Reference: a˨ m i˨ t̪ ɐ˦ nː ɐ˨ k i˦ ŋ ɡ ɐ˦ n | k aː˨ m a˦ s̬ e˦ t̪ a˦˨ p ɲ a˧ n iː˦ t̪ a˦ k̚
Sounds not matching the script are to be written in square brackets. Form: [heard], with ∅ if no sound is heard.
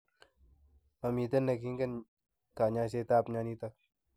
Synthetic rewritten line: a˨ m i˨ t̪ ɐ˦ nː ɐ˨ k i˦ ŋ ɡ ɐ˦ n | k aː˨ [ɲ] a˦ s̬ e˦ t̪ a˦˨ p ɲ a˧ n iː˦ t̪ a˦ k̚